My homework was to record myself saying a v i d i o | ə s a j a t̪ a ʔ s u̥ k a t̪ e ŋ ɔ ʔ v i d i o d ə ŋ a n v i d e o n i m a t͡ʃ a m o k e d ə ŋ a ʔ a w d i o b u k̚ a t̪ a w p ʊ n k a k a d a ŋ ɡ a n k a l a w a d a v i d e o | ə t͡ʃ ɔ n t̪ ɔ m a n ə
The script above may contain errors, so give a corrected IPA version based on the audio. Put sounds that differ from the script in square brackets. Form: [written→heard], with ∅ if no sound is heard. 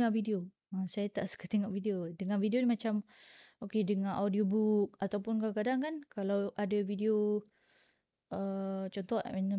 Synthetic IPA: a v i d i o | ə s a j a t̪ a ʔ s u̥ k a t̪ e ŋ ɔ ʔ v i d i o d ə ŋ a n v i d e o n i m a t͡ʃ a m o k e d ə ŋ a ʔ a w d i o b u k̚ a t̪ a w p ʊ n k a k a d a ŋ [ɡ→k] a n k a l a w a d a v i d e o | ə t͡ʃ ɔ n t̪ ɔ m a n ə